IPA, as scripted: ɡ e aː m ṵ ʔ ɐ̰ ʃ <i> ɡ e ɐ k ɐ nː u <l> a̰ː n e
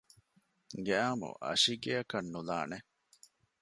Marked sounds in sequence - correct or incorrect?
correct, correct

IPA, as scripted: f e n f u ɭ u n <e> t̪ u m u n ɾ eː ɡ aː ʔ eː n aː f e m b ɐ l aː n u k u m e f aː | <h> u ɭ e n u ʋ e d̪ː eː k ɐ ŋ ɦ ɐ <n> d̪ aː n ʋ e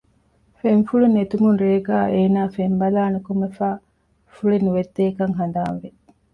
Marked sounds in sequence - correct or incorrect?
correct, incorrect: f, correct

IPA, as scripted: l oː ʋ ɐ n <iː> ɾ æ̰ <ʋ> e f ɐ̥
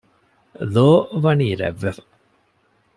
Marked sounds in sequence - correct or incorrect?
correct, incorrect: ʋː

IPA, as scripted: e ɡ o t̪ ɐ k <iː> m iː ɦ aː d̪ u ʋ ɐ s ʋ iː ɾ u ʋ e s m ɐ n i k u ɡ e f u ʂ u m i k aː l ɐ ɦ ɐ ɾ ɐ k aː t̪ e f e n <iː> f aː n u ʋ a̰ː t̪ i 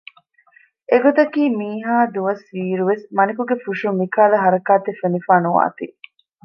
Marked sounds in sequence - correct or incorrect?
correct, incorrect: i

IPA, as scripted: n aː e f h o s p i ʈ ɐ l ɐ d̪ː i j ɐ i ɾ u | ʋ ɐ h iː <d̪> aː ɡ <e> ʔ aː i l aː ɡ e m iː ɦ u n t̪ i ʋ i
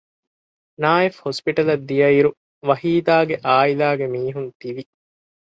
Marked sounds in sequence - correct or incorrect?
correct, correct

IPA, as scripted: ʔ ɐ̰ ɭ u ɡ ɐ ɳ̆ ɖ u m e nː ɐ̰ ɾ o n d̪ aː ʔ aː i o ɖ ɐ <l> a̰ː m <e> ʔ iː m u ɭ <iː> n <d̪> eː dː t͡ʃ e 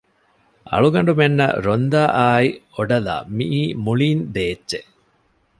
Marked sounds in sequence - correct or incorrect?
correct, incorrect: i, correct, correct

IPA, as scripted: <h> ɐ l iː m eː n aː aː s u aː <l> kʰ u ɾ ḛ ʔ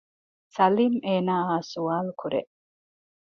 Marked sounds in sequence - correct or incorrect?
incorrect: s, correct

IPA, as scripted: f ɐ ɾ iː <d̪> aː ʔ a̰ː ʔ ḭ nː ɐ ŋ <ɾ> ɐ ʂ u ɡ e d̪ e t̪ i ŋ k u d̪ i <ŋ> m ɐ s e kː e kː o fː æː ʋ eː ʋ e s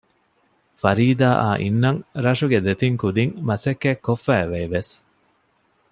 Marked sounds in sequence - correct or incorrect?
correct, correct, correct

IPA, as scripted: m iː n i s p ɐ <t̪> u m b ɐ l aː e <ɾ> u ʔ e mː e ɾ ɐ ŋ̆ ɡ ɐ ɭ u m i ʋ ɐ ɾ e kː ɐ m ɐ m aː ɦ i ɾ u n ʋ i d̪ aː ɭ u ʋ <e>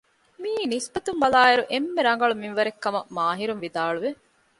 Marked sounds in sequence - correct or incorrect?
correct, correct, correct

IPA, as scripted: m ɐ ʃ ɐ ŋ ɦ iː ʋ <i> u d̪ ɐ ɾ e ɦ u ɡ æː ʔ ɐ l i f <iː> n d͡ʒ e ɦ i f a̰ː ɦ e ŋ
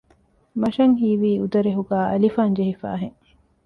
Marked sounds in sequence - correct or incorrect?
incorrect: iː, incorrect: aː

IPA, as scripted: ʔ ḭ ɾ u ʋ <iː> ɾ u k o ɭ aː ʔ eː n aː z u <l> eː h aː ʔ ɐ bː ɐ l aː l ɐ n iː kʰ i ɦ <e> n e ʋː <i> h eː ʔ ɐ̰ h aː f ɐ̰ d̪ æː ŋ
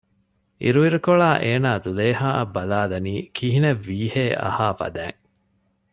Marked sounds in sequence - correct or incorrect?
incorrect: i, correct, incorrect: i, incorrect: iː

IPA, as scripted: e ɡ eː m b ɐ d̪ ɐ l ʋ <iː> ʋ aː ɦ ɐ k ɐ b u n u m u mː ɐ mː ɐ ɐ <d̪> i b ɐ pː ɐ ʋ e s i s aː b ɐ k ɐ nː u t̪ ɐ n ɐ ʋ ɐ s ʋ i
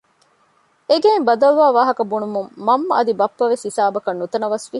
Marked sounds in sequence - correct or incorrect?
incorrect: aː, correct

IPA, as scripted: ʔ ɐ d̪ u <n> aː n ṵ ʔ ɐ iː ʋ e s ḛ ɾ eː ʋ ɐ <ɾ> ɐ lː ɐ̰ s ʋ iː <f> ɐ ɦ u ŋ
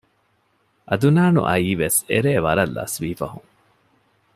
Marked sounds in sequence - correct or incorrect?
correct, correct, correct

